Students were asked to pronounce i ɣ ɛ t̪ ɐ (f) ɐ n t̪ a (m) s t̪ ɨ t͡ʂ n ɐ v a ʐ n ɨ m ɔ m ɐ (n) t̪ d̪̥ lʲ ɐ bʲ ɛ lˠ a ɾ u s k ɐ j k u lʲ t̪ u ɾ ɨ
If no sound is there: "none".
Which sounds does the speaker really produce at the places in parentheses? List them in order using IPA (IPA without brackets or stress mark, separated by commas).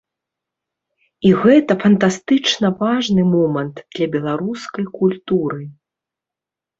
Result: f, none, n